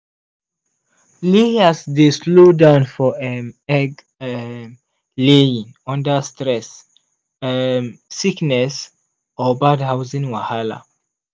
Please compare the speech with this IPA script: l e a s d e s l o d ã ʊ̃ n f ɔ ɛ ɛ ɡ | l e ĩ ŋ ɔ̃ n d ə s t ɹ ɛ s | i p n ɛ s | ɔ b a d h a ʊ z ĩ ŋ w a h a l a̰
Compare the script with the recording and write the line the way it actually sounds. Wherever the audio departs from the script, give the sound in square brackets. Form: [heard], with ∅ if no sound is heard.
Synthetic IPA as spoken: l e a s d e s l o d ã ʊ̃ n f ɔ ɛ ɛ ɡ | l e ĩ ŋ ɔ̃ n d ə s t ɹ ɛ s | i [k] n ɛ s | ɔ b a d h a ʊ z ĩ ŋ w a h a l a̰